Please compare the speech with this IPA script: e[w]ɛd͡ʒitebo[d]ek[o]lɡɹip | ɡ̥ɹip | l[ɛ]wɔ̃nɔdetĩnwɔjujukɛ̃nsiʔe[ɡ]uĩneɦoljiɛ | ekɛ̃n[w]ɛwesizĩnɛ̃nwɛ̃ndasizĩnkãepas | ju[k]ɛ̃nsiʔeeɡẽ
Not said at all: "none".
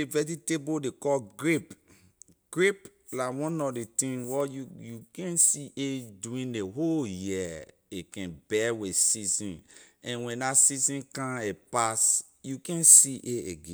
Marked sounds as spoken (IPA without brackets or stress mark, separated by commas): v, d, ɔ, a, d, b, k